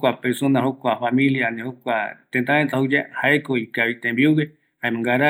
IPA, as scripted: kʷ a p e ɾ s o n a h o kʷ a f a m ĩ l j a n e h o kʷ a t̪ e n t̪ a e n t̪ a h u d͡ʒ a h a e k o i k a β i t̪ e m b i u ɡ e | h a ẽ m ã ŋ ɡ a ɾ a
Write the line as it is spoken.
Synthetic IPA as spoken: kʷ a p e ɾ s o n a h o kʷ a f a m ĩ l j a n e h o kʷ a t̪ e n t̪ a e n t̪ a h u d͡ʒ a h a e k o i k a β i t̪ e m b i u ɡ e | h a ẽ m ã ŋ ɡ a ɾ a